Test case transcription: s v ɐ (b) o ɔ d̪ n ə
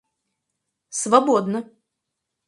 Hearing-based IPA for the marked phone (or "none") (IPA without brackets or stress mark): b